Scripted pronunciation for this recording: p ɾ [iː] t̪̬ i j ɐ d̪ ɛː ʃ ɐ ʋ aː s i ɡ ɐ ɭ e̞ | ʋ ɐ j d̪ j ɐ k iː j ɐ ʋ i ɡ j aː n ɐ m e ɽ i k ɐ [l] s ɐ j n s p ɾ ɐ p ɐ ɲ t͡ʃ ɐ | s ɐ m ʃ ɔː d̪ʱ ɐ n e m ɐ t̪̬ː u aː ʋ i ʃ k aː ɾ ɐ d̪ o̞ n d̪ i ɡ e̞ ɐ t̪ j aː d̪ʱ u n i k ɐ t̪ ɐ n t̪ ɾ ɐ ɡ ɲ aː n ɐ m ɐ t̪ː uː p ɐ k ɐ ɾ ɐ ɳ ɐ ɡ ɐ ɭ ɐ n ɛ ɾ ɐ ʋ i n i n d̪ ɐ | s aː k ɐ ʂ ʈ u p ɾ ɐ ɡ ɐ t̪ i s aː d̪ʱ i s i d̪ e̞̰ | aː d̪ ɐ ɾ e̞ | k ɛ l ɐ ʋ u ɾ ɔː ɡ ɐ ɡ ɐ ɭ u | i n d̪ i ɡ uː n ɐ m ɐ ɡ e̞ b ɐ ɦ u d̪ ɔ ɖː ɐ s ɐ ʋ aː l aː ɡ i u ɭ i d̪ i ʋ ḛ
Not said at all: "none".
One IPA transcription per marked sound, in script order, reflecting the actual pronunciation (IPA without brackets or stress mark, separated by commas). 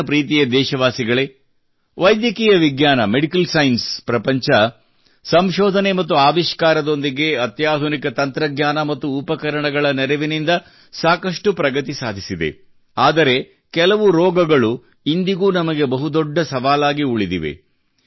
iː, l